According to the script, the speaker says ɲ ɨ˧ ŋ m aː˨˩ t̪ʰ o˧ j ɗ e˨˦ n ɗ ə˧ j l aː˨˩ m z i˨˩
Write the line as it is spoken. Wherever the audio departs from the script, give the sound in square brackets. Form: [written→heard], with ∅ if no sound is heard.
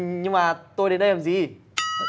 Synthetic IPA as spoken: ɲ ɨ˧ ŋ m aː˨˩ [t̪ʰ→t̪] o˧ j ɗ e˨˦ n ɗ ə˧ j l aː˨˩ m z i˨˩